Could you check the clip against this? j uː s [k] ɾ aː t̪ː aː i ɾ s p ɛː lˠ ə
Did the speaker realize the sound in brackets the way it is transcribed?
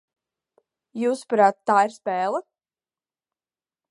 no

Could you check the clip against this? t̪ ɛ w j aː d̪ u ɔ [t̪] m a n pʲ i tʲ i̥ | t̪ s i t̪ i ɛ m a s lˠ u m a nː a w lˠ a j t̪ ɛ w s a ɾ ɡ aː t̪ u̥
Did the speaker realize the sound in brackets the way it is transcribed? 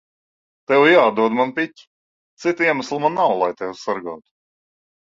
no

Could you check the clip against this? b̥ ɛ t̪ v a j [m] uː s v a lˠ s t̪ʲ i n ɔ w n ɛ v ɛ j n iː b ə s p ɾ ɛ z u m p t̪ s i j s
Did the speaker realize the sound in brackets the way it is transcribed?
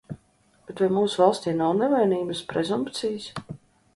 yes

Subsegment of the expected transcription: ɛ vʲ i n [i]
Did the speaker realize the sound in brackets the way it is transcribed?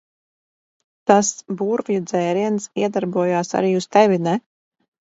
no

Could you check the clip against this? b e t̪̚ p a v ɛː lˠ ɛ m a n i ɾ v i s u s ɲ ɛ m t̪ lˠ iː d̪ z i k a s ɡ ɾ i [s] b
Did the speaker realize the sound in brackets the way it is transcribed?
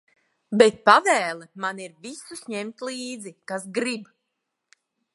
no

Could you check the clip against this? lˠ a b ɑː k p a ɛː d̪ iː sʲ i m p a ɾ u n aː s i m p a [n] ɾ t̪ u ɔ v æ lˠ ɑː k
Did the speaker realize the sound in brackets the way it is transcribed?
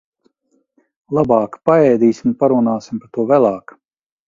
no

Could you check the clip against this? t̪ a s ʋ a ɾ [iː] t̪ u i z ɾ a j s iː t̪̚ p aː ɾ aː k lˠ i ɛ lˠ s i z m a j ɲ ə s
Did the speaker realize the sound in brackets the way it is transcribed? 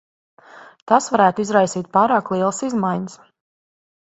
no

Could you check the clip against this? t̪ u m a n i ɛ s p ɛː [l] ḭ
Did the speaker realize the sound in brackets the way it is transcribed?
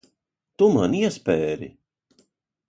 no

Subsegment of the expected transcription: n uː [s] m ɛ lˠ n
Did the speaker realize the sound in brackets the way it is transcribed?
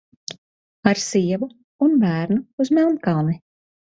no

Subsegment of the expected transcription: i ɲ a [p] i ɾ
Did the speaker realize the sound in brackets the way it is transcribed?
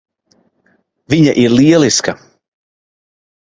no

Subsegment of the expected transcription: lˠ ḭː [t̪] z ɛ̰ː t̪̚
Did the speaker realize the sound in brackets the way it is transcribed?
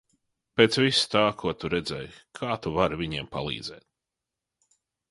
no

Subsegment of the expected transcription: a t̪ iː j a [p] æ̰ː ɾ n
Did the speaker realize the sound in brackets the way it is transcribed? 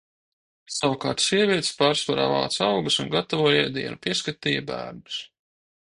no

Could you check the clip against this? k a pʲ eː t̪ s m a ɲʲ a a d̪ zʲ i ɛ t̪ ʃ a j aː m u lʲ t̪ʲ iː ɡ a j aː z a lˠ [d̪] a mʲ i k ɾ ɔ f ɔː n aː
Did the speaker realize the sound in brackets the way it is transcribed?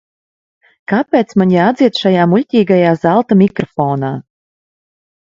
no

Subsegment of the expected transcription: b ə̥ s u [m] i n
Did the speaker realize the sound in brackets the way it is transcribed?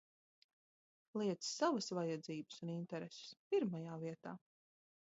no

